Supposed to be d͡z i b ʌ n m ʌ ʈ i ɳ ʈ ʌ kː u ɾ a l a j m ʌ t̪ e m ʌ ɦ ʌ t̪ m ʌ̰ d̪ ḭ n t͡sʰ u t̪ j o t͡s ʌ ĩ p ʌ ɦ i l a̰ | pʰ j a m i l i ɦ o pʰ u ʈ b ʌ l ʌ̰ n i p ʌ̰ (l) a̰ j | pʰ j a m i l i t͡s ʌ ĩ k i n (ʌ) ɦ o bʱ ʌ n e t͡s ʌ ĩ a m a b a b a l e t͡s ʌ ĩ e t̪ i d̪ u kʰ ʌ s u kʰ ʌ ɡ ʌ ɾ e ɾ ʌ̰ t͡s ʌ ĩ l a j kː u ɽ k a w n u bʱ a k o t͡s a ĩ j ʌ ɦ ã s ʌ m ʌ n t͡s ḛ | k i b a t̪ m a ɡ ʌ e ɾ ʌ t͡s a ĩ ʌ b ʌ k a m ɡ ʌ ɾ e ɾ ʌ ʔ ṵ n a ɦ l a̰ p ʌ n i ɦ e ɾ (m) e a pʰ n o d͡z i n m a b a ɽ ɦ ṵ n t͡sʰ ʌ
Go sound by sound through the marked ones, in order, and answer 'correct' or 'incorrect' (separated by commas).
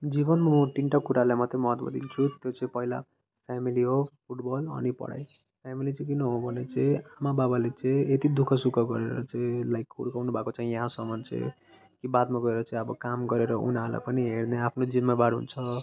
incorrect, correct, incorrect